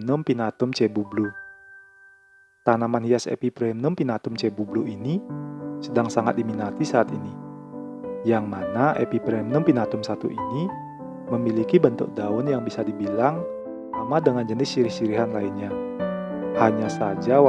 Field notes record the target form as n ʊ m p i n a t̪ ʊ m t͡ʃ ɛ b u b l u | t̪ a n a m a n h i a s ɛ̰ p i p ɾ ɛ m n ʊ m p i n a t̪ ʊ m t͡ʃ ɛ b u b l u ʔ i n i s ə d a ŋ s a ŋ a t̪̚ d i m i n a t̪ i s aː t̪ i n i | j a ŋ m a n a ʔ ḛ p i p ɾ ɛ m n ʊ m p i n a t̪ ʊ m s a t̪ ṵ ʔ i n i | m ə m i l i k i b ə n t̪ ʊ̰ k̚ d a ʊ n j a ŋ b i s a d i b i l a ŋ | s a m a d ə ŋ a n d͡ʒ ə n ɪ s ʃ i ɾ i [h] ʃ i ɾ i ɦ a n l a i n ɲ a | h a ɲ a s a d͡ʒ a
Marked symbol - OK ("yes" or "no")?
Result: yes